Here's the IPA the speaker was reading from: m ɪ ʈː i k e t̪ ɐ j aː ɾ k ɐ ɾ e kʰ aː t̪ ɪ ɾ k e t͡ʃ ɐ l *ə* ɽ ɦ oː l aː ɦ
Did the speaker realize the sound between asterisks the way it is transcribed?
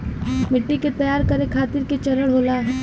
yes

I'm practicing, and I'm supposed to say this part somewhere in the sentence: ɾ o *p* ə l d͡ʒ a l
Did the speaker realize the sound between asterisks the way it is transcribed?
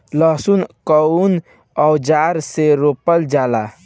yes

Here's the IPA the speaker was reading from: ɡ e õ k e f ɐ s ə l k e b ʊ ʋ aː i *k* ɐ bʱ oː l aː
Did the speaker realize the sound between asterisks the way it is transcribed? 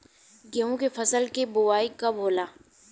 yes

